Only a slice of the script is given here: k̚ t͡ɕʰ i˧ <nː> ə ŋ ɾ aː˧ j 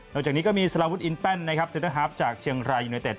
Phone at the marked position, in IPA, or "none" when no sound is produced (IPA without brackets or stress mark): none